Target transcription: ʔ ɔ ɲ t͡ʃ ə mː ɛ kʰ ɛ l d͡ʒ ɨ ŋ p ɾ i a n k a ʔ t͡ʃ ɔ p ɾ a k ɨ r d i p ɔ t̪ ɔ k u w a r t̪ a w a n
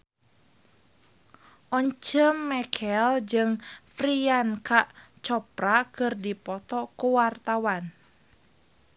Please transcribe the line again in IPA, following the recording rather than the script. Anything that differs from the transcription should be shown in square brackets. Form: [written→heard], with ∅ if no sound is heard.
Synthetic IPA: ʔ ɔ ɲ t͡ʃ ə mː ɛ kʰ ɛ l d͡ʒ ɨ ŋ p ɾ i a n k a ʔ t͡ʃ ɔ p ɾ a k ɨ r d i p ɔ t̪ ɔ k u w a r t̪ a w a n